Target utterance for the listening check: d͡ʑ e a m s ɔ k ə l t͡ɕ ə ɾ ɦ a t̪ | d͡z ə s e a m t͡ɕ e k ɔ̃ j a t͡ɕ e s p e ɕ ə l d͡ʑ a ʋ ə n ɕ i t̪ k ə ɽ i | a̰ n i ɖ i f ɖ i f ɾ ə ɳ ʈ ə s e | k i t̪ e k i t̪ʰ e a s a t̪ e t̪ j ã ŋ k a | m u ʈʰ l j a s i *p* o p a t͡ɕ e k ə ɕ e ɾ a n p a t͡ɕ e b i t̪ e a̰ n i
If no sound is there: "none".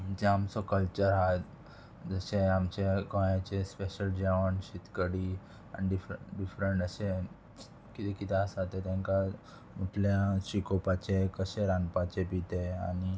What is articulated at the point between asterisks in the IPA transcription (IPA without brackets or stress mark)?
k